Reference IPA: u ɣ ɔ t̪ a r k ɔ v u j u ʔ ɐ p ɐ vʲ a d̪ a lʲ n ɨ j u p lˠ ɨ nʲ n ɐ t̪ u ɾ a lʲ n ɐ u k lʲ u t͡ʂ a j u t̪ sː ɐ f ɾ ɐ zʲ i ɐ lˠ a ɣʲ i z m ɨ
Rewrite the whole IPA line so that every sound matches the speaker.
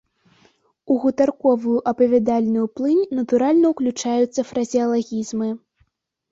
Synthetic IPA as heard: u ɣ u t̪ a r k ɔ v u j u ʔ ɐ p ɐ vʲ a d̪ a lʲ n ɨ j u p lˠ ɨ nʲ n ɐ t̪ u ɾ a lʲ n ɐ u k lʲ u t͡ʂ a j u t̪ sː ɐ f ɾ ɐ zʲ i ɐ lˠ a ɣʲ i z m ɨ